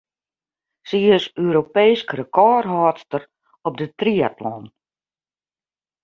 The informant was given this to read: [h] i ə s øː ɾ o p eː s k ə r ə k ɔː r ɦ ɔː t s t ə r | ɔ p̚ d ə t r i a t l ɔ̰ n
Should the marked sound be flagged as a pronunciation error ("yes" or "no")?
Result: yes